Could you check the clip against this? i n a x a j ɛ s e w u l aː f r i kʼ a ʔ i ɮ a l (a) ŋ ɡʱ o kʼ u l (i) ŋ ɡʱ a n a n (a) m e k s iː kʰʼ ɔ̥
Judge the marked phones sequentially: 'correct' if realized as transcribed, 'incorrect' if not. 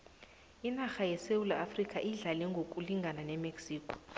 incorrect: ɛ, correct, incorrect: ɛ

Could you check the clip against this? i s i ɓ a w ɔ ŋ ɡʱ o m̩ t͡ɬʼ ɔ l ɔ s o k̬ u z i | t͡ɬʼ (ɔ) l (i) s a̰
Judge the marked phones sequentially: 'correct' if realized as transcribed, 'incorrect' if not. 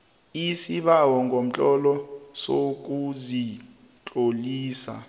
incorrect: o, incorrect: iː

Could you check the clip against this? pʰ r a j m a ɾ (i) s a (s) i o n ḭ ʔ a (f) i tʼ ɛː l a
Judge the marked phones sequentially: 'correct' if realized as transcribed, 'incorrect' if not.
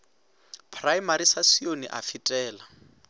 correct, correct, correct

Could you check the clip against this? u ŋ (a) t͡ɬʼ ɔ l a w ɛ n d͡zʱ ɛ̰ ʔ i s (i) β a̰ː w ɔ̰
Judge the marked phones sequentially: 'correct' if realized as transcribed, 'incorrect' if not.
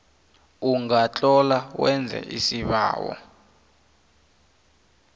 correct, correct

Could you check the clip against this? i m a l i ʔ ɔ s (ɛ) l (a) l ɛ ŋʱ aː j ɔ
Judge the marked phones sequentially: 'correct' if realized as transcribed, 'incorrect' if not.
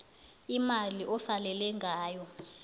incorrect: a, incorrect: ɛ

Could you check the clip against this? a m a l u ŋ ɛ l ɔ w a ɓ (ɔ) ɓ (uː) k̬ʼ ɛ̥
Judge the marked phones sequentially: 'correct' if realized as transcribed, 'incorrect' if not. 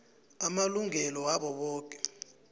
correct, incorrect: ɔː

